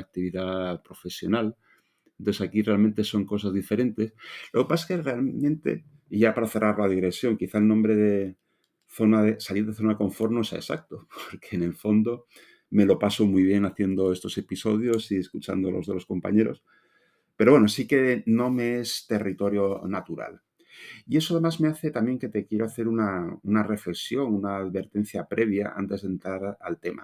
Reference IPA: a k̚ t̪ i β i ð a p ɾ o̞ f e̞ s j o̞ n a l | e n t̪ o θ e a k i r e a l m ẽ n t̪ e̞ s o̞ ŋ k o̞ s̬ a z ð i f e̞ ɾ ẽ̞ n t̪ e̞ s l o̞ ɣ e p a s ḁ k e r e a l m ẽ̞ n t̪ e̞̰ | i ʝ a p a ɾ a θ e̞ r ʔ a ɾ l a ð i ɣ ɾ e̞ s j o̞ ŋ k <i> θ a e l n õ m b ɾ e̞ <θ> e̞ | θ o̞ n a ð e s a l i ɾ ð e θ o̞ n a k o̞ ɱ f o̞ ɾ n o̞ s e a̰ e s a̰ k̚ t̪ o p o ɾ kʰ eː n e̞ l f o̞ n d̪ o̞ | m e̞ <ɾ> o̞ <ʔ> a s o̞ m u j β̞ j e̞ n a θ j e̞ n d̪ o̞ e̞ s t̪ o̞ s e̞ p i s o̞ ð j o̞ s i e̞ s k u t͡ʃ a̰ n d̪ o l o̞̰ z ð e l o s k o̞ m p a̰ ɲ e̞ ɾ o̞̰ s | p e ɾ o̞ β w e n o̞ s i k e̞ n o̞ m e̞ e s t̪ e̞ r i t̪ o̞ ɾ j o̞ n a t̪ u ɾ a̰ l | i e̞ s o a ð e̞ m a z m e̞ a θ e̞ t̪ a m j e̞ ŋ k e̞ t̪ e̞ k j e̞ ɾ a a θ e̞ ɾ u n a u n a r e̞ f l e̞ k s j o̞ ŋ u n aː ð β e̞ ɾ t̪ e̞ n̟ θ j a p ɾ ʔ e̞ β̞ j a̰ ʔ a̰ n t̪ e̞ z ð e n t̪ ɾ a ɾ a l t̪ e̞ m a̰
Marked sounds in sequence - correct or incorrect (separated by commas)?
correct, incorrect, incorrect, incorrect